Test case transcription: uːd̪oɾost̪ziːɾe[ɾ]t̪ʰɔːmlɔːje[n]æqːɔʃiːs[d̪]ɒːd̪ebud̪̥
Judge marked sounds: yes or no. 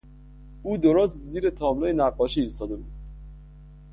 no, yes, no

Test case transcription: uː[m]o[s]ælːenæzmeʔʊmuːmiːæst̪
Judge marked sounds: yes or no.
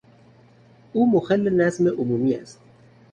yes, no

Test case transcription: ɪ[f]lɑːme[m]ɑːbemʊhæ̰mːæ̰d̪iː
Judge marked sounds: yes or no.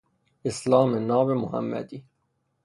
no, no

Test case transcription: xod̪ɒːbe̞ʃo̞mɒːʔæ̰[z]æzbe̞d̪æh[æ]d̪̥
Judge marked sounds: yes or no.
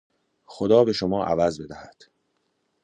no, yes

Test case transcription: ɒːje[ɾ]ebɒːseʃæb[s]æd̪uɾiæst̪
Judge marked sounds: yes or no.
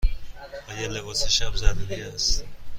no, no

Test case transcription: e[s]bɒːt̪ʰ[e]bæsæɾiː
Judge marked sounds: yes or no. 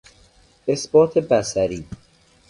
yes, yes

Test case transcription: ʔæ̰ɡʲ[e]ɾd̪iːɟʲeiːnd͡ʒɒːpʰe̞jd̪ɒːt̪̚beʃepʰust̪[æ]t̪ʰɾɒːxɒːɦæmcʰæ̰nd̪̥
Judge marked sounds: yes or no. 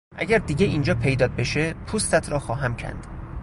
no, yes

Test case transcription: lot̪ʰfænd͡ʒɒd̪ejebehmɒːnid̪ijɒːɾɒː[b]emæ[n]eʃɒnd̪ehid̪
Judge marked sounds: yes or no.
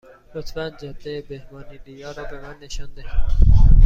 yes, no

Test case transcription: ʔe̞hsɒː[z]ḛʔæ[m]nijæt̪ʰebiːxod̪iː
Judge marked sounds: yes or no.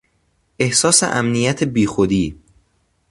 no, yes

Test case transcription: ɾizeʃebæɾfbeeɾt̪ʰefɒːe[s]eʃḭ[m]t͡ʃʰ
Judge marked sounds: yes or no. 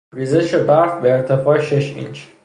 no, no

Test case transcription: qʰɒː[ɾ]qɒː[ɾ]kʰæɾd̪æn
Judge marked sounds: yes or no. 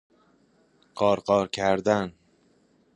yes, yes

